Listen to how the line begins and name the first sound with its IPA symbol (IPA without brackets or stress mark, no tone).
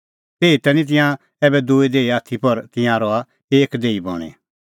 t̪